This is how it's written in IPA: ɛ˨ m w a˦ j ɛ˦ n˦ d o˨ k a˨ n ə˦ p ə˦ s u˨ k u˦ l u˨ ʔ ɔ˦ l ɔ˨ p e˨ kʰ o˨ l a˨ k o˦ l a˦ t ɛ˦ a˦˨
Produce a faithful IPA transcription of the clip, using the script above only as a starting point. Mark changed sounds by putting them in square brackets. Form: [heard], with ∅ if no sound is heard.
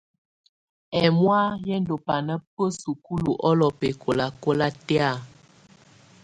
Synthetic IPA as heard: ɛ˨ m w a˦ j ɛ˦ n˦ d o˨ [p] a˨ n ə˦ p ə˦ s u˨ k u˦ l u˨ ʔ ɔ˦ l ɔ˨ p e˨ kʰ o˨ l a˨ k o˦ l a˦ t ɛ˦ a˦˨